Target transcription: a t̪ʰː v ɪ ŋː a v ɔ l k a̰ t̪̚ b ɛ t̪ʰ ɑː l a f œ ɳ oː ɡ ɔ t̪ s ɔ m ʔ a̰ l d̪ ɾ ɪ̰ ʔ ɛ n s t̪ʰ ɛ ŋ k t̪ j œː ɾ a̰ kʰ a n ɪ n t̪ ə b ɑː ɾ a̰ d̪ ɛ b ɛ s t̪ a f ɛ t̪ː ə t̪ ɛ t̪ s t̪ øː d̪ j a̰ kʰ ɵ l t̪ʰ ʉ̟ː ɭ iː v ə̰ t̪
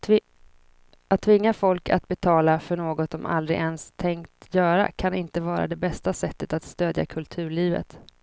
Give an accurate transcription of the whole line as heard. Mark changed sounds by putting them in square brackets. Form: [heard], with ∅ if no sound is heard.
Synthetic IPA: a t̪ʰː v ɪ ŋː a [f] ɔ l k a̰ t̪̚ b ɛ t̪ʰ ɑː l a f œ ɳ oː ɡ ɔ t̪ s ɔ m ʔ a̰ l d̪ ɾ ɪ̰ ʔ ɛ n s t̪ʰ ɛ ŋ k t̪ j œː ɾ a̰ kʰ a n ɪ n t̪ ə [v] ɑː ɾ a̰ d̪ ɛ b ɛ s t̪ a [s] ɛ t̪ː ə t̪ [a] t̪ s t̪ øː d̪ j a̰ kʰ ɵ l t̪ʰ ʉ̟ː ɭ iː v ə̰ t̪

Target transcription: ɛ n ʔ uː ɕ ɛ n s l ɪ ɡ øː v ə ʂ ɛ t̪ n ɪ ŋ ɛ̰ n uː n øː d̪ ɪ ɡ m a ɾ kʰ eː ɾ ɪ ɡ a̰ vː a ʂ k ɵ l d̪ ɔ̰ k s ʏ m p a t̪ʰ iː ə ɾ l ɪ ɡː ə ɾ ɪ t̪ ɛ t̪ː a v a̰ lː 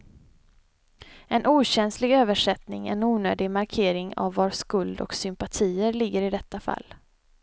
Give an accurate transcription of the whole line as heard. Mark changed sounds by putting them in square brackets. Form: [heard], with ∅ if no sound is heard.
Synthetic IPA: ɛ n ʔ uː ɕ ɛ n s l ɪ ɡ øː v ə ʂ ɛ t̪ n ɪ ŋ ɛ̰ n uː n øː d̪ ɪ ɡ m a ɾ kʰ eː ɾ ɪ [ŋ] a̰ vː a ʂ k ɵ l d̪ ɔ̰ k s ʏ m p a t̪ʰ iː ə ɾ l ɪ ɡː ə ɾ ɪ [d̪] ɛ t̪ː a [f] a̰ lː

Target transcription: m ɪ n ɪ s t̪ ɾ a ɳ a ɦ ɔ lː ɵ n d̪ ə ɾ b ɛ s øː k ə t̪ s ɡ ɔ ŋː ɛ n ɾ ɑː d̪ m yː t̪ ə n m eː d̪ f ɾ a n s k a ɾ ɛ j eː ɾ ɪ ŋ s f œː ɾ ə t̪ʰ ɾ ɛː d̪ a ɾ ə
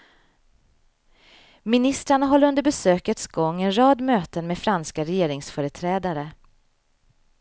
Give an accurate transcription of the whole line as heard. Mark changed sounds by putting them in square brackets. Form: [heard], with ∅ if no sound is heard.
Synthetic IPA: m ɪ n ɪ s t̪ ɾ a ɳ a ɦ ɔ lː ɵ n d̪ ə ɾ b ɛ s øː k ə t̪ s ɡ ɔ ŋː ɛ n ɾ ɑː d̪ m [øː] t̪ ə n m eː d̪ f ɾ a n s k a ɾ ɛ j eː ɾ ɪ ŋ s f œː ɾ ə t̪ʰ ɾ ɛː d̪ a ɾ ə

